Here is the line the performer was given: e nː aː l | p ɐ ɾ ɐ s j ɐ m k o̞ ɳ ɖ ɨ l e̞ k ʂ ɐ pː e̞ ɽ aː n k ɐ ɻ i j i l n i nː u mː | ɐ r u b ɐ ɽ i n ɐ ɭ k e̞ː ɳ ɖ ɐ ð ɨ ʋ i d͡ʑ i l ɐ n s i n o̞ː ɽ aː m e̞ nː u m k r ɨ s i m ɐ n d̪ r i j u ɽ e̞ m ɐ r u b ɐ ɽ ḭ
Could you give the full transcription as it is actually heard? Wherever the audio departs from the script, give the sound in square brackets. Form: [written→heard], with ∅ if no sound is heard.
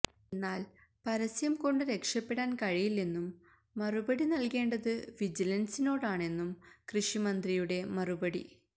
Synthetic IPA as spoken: e nː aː l | p ɐ ɾ ɐ s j ɐ m k o̞ ɳ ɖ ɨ [l→ɾ] e̞ k ʂ ɐ pː e̞ ɽ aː n k ɐ ɻ i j i l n i nː u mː | ɐ r u b ɐ ɽ i n ɐ [ɭ→l] k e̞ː ɳ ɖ ɐ ð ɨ ʋ i d͡ʑ i l ɐ n s i n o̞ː ɽ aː [m→ɳ] e̞ nː u m k r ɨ [s→ʂ] i m ɐ n d̪ r i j u ɽ e̞ m ɐ r u b ɐ ɽ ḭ